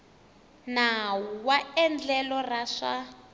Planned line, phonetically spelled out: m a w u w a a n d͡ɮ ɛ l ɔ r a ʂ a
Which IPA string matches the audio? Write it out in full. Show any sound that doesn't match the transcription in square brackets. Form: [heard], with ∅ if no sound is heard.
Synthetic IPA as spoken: [n] a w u w a [ɛ] n d͡ɮ ɛ l ɔ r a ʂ a